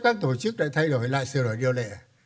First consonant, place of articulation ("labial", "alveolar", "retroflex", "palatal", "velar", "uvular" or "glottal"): velar